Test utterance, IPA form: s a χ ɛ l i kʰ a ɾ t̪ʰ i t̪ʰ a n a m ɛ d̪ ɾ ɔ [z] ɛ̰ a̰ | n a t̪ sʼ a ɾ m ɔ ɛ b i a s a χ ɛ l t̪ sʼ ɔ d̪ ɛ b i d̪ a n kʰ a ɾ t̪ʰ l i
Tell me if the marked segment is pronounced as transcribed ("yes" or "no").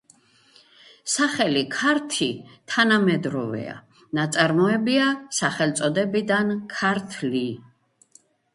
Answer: no